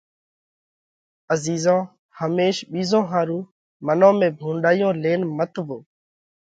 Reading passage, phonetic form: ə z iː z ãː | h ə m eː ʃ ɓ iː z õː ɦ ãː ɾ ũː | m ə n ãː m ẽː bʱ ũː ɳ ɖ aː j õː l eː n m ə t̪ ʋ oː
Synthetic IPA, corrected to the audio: ə z iː z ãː | h ə m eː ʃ ɓ iː z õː ɦ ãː ɾ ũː | m ə n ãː m ẽː bʱ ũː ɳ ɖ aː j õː l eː n m ə t̪ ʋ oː